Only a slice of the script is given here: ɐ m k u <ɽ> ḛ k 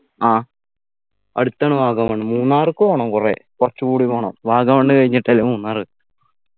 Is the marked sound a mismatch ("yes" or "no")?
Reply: yes